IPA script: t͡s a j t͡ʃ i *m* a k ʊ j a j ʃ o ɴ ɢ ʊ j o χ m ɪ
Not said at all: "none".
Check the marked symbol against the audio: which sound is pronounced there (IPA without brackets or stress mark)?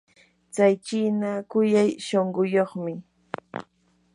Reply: n